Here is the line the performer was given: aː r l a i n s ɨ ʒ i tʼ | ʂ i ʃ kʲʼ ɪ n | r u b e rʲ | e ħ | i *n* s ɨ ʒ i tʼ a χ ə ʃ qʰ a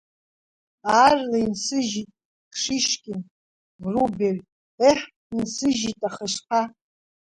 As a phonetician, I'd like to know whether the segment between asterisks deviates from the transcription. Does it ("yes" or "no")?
no